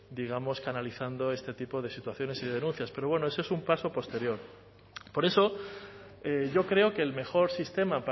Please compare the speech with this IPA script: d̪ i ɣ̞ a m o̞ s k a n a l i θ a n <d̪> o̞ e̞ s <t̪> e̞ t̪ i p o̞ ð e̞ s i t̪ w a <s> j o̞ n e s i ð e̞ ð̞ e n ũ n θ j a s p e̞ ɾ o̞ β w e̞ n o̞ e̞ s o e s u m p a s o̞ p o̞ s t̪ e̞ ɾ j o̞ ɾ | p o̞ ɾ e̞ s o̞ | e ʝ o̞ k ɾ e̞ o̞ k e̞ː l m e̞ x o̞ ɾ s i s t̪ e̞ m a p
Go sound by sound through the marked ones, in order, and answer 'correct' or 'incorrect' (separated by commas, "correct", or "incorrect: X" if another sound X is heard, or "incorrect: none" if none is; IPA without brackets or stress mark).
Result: correct, correct, incorrect: θ